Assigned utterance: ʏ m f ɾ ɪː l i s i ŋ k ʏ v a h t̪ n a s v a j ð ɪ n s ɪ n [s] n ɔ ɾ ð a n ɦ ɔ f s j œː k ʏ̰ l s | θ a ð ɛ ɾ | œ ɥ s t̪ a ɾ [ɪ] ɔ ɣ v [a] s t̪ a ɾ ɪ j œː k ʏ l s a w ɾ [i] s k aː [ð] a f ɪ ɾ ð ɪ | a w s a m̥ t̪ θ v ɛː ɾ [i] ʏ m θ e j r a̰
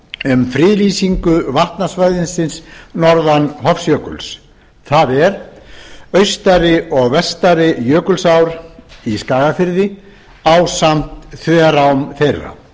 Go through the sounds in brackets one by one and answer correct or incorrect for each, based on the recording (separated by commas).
correct, correct, incorrect, correct, incorrect, incorrect